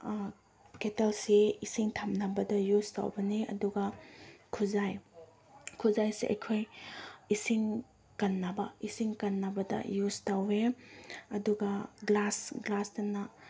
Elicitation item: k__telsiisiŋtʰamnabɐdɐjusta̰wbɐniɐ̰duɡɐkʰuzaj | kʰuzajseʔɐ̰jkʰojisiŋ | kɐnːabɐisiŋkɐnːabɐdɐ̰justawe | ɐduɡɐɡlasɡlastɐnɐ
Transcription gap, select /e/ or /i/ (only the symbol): e